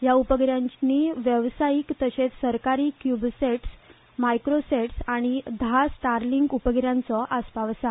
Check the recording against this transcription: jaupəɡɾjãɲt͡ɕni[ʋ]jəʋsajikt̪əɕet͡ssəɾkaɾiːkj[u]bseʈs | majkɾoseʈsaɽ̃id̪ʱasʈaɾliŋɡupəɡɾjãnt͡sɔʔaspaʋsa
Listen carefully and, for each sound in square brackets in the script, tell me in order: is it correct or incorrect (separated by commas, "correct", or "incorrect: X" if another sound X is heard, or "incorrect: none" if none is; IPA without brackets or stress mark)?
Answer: correct, correct